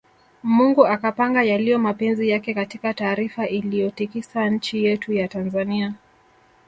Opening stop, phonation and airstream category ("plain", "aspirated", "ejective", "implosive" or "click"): plain